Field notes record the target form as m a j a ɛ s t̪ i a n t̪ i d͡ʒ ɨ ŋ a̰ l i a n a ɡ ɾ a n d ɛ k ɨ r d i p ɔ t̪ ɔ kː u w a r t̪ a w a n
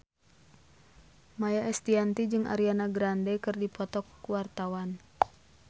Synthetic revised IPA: m a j a ɛ s t̪ i a n t̪ i d͡ʒ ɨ ŋ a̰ ɾ i a n a ɡ ɾ a n d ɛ k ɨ r d i p ɔ t̪ ɔ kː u w a r t̪ a w a n